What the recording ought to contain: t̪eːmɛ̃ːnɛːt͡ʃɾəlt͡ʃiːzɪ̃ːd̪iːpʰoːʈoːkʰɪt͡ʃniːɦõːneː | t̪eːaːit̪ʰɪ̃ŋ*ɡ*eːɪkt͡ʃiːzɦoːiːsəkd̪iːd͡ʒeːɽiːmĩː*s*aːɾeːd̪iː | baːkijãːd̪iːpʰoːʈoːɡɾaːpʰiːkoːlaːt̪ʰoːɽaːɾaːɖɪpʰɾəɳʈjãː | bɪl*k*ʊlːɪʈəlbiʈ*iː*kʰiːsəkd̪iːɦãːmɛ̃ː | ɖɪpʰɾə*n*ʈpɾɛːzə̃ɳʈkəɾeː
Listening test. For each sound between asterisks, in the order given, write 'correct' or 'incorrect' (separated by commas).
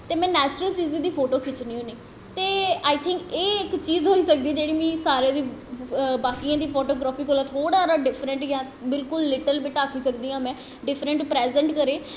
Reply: incorrect, correct, correct, incorrect, incorrect